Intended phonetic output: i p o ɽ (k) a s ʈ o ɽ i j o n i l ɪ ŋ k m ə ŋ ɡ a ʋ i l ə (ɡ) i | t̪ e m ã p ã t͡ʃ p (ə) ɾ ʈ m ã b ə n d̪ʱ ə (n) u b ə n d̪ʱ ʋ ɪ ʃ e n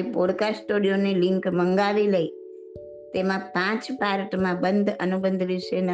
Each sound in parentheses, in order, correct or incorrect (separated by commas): correct, incorrect, incorrect, correct